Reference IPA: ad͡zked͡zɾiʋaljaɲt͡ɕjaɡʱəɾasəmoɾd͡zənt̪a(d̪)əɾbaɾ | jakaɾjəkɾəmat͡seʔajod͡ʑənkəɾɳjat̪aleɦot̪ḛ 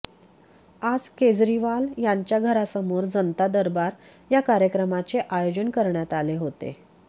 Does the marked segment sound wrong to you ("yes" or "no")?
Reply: no